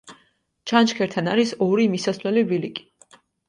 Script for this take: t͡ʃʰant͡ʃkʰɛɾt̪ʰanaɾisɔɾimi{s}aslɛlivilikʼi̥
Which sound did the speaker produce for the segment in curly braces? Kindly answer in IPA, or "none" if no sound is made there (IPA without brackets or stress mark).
s